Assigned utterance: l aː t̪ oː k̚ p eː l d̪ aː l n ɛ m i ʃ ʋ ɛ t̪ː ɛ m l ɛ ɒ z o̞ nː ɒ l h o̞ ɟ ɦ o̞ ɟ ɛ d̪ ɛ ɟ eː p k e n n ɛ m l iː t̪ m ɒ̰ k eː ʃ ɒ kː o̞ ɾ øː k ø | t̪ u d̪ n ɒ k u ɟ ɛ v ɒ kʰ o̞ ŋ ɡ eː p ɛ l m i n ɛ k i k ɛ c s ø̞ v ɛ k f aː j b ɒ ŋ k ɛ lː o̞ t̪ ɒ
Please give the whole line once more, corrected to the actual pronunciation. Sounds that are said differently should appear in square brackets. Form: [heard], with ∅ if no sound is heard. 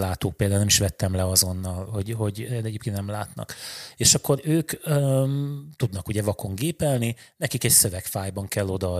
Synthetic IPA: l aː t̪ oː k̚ p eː l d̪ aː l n ɛ m i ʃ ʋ ɛ t̪ː ɛ m l ɛ ɒ z o̞ nː ɒ l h o̞ ɟ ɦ o̞ ɟ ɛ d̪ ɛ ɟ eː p k e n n ɛ m l [aː] t̪ [n] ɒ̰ k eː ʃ ɒ kː o̞ ɾ øː k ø | t̪ u d̪ n ɒ k u ɟ ɛ v ɒ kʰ o̞ ŋ ɡ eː p ɛ l [n] i n ɛ k i k ɛ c s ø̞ v ɛ k f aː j b ɒ ŋ k ɛ lː o̞ [d̪] ɒ